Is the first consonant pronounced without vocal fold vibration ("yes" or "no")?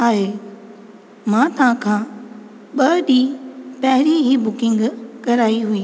no